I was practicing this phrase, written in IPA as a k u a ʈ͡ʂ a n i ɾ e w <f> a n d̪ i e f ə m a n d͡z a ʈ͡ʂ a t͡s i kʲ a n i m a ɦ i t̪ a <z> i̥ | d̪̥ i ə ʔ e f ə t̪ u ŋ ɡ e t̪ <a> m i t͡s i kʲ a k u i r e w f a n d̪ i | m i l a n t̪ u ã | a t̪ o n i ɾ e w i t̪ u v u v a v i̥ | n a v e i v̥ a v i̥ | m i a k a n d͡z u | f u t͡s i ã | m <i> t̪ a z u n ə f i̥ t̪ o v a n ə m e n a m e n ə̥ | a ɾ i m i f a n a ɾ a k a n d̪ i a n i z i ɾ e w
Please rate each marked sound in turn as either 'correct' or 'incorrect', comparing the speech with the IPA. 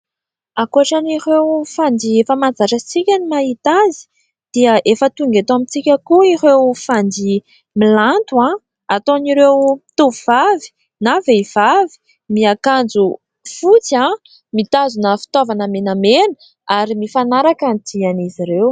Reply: correct, correct, correct, correct

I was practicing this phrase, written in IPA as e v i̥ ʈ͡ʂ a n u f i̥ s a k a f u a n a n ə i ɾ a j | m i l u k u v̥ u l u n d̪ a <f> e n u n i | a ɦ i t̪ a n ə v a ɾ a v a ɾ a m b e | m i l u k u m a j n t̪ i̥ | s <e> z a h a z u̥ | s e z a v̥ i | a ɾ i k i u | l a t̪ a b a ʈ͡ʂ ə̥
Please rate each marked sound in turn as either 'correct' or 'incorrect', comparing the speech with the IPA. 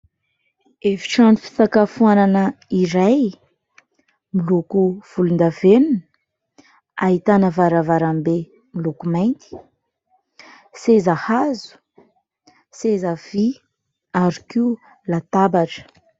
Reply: incorrect: v, correct

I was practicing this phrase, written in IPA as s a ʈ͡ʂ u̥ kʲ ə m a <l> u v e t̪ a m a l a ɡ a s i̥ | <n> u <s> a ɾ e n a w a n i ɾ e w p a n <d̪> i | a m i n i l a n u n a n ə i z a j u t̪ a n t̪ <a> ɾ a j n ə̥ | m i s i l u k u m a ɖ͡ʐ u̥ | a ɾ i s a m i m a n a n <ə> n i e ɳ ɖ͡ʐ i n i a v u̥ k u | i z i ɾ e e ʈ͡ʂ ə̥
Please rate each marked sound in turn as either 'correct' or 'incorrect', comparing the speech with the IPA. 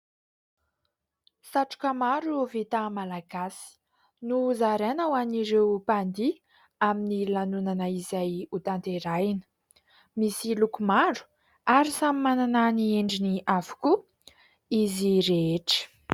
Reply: incorrect: ɾ, correct, incorrect: z, correct, incorrect: e, incorrect: a

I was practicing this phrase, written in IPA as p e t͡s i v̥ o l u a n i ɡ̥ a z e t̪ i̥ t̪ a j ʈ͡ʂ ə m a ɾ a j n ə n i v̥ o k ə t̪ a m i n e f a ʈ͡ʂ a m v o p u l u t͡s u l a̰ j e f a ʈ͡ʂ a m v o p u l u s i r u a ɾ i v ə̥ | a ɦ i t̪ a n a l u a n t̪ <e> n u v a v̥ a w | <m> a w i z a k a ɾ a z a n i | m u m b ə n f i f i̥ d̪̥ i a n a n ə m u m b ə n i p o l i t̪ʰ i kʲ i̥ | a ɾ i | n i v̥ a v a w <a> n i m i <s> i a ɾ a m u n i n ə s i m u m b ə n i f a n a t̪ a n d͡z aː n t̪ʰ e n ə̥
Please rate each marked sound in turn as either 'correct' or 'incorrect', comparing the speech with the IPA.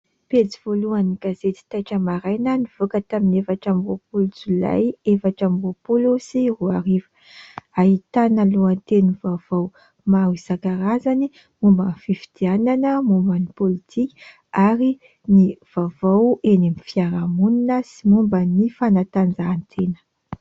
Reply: correct, correct, incorrect: e, incorrect: f

